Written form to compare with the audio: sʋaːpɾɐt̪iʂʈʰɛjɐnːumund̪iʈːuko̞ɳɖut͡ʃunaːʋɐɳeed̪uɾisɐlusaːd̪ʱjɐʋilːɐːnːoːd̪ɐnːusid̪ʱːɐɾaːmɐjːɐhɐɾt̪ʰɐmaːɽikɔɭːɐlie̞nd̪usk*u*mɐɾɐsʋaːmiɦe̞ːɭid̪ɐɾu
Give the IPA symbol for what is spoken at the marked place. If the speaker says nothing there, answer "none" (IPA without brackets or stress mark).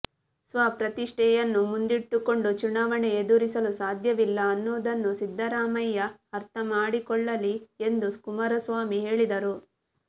u